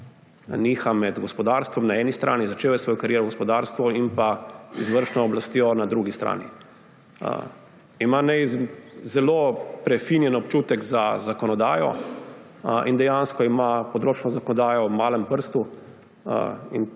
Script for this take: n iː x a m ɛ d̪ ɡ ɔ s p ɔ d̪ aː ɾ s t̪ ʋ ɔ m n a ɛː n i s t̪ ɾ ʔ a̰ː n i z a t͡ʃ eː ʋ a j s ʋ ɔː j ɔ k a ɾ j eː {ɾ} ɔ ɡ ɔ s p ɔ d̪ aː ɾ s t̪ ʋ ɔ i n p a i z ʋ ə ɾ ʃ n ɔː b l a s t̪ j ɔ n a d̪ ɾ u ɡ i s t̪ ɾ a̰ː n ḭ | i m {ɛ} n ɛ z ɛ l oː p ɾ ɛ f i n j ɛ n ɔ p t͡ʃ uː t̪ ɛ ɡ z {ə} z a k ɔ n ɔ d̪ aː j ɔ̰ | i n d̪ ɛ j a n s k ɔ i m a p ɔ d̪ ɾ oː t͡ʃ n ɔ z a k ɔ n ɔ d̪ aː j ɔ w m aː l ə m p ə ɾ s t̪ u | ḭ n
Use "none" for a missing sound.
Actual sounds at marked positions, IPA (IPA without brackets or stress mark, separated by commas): ɾ, a, a